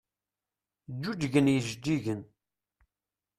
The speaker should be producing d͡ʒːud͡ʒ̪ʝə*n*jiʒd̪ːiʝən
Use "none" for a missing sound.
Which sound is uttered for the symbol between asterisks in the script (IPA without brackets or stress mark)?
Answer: n